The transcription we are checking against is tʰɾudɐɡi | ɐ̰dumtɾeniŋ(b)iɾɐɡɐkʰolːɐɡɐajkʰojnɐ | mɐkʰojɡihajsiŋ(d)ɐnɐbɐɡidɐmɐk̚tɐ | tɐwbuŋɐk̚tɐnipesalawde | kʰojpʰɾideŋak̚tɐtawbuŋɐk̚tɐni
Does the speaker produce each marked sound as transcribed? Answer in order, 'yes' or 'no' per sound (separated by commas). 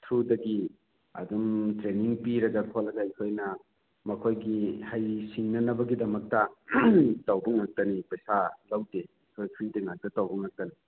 no, no